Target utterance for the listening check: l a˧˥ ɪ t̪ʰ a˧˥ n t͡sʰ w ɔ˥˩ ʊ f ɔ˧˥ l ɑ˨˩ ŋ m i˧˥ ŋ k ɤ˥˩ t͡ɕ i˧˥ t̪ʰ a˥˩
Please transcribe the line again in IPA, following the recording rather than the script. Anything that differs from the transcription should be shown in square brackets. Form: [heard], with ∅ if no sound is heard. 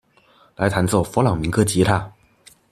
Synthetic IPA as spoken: l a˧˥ ɪ t̪ʰ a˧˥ n [t͡s] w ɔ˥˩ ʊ f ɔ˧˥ l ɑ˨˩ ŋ m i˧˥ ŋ k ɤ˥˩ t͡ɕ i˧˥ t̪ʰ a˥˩